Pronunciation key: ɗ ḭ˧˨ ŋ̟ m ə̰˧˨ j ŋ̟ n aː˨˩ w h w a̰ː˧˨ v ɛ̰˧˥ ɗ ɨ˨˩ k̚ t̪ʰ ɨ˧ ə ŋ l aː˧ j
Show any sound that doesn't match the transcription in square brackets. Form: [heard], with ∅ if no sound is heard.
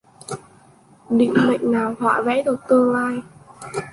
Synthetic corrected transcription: ɗ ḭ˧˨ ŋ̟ m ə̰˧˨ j ŋ̟ n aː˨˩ w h w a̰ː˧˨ v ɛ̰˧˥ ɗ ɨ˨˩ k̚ [t̪] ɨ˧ ə ŋ l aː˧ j